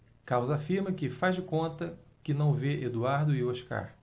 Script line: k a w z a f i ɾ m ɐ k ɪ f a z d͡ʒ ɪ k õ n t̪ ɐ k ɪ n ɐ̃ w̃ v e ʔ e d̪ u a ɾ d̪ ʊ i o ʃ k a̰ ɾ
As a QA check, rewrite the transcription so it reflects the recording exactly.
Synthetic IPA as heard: k a w z a f i ɾ m ɐ k ɪ f a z d͡ʒ ɪ k õ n t̪ ɐ k ɪ n ɐ̃ w̃ v e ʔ e d̪ u a ɾ d̪ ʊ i o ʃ k a̰ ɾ